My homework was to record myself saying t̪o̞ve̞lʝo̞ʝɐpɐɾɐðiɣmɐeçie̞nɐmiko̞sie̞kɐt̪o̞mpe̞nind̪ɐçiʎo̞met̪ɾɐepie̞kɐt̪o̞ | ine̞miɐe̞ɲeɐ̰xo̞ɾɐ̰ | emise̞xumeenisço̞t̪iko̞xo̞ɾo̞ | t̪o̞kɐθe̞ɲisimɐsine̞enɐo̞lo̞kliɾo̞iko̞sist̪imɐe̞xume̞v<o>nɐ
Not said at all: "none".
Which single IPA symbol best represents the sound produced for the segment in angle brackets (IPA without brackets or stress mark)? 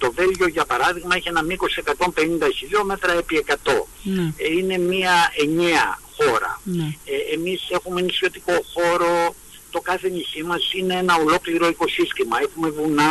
u